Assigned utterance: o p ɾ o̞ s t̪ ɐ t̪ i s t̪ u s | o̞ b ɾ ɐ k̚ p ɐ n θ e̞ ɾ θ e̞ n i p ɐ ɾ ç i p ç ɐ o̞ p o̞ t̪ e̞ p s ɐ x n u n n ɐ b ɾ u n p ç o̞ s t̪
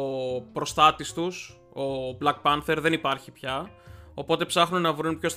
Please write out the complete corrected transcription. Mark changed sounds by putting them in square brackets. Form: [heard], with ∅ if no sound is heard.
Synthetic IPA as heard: o p ɾ o̞ s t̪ ɐ t̪ i s t̪ u s | o̞ b [l] ɐ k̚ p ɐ n θ e̞ ɾ [ð] e̞ n i p ɐ ɾ ç i p ç ɐ o̞ p o̞ t̪ e̞ p s ɐ x n u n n ɐ [v] ɾ u n p ç o̞ s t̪